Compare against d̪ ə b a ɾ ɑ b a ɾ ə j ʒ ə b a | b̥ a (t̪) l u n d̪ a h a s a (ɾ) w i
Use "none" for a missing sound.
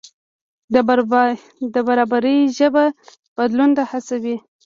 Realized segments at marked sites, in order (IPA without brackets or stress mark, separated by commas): d̪, none